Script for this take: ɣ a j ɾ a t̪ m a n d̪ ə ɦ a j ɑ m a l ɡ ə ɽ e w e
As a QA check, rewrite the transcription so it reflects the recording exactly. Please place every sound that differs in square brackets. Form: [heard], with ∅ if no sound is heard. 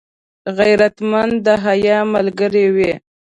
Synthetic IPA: ɣ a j ɾ a t̪ m a n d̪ ə ɦ a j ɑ m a l ɡ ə [ɾ] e w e